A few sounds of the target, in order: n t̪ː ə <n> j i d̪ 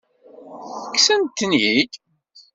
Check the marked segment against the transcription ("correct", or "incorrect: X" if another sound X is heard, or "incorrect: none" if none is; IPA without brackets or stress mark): correct